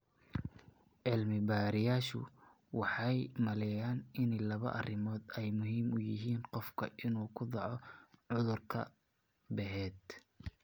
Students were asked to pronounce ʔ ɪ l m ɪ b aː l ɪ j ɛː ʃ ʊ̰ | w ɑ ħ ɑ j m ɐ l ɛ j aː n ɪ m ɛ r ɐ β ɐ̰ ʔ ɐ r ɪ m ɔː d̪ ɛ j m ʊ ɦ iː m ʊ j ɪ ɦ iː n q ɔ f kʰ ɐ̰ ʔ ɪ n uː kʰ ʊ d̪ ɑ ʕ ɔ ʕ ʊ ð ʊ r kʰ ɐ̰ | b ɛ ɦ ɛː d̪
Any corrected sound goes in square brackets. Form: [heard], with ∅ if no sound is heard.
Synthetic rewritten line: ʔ ɪ l m ɪ b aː [ɾ] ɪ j [aː] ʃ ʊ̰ | w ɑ ħ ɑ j m ɐ l ɛ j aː n ɪ [n] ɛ [l] ɐ β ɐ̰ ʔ ɐ r ɪ m ɔː d̪ ɛ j m ʊ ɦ iː m ʊ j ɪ ɦ iː n q ɔ f kʰ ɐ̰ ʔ ɪ n uː kʰ ʊ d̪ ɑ ʕ ɔ ʕ ʊ ð ʊ r kʰ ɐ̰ | b ɛ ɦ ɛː d̪

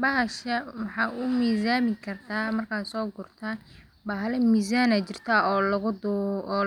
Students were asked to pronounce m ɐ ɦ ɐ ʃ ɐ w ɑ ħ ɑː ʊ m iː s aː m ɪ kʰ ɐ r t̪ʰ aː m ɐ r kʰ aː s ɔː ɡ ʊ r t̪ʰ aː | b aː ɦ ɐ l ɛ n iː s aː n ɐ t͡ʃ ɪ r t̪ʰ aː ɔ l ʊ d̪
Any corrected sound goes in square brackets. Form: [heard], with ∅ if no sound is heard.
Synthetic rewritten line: [b] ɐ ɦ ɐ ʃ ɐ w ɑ ħ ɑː ʊ m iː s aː m ɪ kʰ ɐ r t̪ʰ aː m ɐ r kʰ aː s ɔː ɡ ʊ r t̪ʰ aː | b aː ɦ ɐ l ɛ [m] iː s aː n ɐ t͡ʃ ɪ r t̪ʰ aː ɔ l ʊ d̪

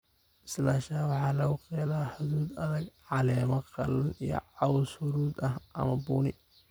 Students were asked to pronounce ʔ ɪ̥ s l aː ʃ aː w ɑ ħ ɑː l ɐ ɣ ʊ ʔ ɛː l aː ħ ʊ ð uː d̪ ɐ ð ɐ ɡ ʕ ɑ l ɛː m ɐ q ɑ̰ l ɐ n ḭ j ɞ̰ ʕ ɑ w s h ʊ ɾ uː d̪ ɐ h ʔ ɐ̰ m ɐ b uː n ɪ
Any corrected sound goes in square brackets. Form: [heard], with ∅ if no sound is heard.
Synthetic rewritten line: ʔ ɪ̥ s l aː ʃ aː w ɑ ħ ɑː l ɐ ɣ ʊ [q] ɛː l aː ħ ʊ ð uː d̪ ɐ ð ɐ ɡ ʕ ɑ l ɛː m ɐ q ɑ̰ l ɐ n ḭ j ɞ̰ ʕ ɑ w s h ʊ ɾ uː d̪ ɐ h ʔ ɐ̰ m ɐ b uː n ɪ

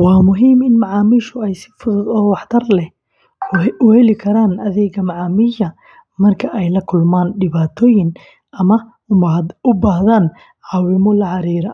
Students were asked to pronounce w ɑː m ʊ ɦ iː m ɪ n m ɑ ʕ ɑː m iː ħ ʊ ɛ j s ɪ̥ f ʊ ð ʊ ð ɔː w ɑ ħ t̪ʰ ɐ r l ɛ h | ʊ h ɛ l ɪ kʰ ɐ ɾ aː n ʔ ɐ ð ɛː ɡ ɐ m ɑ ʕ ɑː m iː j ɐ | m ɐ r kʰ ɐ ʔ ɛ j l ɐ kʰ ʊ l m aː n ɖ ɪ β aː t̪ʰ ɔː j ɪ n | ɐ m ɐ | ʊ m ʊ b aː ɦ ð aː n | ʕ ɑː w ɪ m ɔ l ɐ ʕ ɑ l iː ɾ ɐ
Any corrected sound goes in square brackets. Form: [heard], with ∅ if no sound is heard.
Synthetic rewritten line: w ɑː m ʊ ɦ iː m ɪ n m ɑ ʕ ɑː m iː [ʃ] ʊ ɛ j s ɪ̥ f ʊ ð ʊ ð ɔː w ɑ ħ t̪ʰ ɐ r l ɛ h | ʊ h ɛ l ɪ kʰ ɐ ɾ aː n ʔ ɐ ð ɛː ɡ ɐ m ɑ ʕ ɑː m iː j ɐ | m ɐ r kʰ ɐ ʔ ɛ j l ɐ kʰ ʊ l m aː n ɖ ɪ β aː t̪ʰ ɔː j ɪ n | ɐ m ɐ | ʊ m ʊ b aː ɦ ð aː n | ʕ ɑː w ɪ m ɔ l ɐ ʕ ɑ [ɾ] iː ɾ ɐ

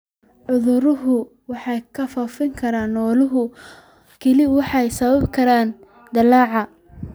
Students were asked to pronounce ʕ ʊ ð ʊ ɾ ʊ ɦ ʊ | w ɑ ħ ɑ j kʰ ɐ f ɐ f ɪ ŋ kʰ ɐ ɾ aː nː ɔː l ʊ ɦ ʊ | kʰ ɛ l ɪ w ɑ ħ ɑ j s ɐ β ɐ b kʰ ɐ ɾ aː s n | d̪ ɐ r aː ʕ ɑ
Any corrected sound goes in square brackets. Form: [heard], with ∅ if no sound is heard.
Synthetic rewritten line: ʕ ʊ ð ʊ ɾ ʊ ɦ ʊ | w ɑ ħ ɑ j kʰ ɐ f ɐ f ɪ ŋ kʰ ɐ ɾ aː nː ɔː l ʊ ɦ ʊ | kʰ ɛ l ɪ w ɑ ħ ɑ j s ɐ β ɐ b kʰ ɐ ɾ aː [∅] n | d̪ ɐ [l] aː ʕ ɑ

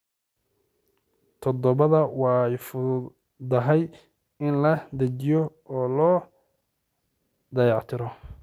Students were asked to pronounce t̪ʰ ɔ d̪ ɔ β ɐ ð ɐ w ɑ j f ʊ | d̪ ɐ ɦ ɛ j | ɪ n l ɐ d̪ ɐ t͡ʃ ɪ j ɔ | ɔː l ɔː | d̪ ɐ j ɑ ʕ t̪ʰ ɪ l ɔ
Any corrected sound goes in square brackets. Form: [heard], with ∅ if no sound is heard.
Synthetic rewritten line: t̪ʰ ɔ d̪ ɔ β ɐ ð ɐ w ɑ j f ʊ | d̪ ɐ ɦ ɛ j | ɪ n l ɐ d̪ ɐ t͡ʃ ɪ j ɔ | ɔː l ɔː | d̪ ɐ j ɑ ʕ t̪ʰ ɪ [ɾ] ɔ

